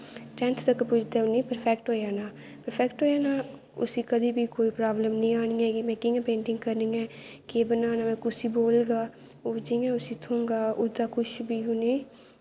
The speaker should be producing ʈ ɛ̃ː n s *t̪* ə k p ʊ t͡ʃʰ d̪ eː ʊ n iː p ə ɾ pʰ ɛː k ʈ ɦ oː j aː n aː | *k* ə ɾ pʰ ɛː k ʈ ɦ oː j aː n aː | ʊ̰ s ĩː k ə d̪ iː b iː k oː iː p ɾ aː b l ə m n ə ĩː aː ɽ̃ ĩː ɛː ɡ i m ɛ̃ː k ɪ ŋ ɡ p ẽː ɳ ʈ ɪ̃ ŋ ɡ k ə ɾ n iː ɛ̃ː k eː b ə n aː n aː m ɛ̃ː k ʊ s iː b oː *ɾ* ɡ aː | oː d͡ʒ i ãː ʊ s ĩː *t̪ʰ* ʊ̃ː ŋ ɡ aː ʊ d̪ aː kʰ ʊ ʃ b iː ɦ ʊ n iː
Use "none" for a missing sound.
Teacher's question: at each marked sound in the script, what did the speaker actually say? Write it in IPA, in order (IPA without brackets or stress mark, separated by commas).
t̪, p, l, t̪ʰ